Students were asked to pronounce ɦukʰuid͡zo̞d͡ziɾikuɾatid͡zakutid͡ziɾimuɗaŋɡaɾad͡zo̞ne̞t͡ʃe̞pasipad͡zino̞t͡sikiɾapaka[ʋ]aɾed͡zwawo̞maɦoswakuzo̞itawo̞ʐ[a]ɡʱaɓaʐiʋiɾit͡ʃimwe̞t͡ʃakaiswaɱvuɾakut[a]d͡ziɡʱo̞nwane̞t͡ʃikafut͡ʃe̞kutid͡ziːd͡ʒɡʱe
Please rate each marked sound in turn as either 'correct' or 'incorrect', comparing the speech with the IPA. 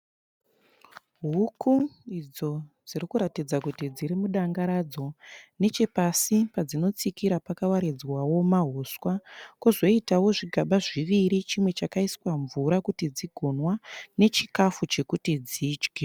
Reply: incorrect: w, incorrect: i, incorrect: i

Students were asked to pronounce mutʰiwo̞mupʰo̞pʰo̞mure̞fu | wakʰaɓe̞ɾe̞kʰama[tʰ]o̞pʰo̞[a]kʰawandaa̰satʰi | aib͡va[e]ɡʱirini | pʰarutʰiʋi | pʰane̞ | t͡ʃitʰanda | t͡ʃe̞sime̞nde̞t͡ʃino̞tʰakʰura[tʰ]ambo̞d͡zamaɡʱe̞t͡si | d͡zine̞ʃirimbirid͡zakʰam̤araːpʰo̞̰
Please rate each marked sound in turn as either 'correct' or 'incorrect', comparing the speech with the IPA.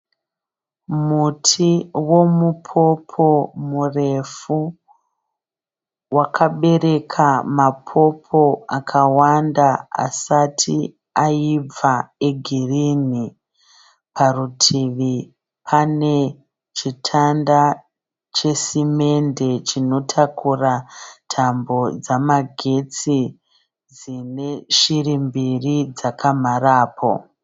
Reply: incorrect: pʰ, correct, correct, correct

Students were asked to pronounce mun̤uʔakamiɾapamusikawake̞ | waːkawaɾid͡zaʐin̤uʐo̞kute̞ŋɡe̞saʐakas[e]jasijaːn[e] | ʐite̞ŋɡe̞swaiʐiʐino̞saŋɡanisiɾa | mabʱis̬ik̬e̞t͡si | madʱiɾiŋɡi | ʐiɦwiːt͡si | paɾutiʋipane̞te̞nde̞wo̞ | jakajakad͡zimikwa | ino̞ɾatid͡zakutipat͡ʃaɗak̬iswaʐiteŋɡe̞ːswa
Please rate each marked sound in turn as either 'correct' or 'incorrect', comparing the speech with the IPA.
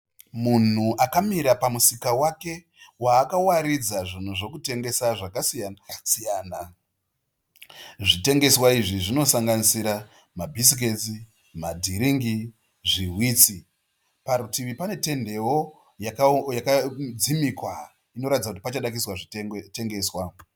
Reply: incorrect: i, incorrect: a

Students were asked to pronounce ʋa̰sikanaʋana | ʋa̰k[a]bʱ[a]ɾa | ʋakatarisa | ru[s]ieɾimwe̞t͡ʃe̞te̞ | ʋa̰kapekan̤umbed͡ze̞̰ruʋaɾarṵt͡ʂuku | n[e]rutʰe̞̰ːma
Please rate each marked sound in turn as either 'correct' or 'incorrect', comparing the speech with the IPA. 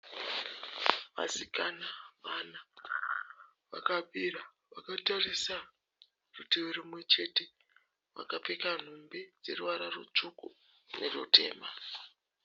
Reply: correct, incorrect: i, incorrect: t, correct

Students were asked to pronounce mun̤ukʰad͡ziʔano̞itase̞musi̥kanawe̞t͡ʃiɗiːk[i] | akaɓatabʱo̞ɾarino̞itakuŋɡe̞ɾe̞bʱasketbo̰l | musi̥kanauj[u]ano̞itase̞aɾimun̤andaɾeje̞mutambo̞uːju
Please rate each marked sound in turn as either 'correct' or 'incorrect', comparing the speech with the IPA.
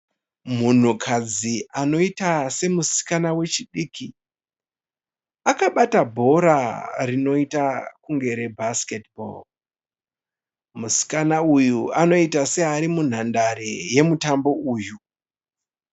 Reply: correct, correct

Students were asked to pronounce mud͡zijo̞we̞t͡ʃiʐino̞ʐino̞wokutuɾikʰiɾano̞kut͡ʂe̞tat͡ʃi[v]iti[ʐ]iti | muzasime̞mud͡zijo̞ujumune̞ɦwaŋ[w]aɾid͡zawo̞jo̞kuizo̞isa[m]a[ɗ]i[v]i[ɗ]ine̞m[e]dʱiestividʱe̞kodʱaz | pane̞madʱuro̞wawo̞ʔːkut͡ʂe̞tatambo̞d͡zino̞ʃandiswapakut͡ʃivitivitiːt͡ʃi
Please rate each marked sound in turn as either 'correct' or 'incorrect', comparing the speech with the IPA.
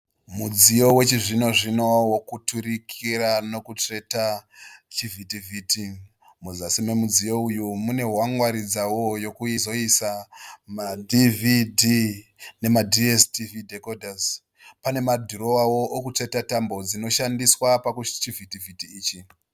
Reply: correct, incorrect: v, correct, correct, incorrect: d, correct, incorrect: d, incorrect: a

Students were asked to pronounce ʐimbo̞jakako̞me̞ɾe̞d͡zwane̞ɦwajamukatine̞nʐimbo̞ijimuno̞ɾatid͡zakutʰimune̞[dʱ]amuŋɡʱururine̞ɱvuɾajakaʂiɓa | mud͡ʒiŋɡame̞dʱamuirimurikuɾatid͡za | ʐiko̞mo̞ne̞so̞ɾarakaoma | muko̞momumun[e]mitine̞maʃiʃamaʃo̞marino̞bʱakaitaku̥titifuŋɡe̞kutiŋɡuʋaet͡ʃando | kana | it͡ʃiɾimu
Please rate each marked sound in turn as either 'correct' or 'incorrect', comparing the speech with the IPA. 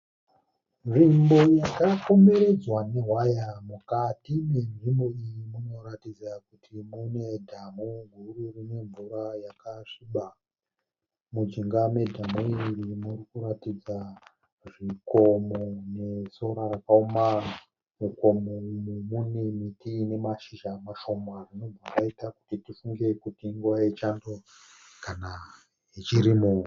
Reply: correct, correct

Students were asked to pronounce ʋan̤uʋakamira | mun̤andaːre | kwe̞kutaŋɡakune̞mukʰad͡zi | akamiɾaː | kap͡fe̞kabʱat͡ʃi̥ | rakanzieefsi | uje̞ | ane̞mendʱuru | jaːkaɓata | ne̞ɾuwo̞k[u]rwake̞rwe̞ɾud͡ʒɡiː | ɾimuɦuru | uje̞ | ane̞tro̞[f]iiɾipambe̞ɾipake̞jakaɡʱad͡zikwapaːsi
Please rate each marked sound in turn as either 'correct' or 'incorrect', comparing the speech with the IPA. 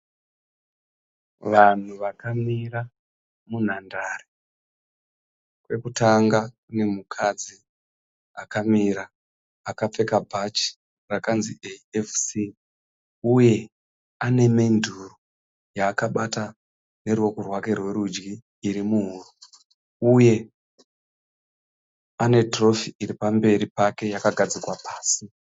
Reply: correct, correct

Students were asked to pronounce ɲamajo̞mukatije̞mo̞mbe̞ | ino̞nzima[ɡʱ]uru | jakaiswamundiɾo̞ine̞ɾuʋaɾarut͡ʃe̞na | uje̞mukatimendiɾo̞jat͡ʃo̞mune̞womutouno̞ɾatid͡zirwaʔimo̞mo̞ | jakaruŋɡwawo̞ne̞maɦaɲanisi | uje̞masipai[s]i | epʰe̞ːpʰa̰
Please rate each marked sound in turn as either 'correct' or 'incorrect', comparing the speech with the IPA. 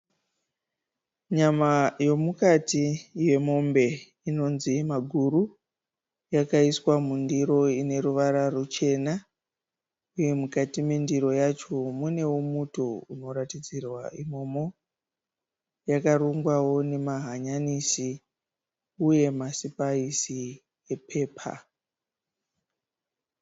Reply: correct, correct

